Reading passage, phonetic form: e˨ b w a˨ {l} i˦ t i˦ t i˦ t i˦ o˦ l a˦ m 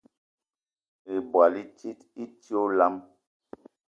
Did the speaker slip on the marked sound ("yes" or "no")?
no